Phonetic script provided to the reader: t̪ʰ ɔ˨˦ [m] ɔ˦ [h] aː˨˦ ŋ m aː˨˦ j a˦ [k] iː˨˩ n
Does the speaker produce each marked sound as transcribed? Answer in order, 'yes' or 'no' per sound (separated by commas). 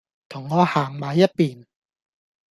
no, yes, no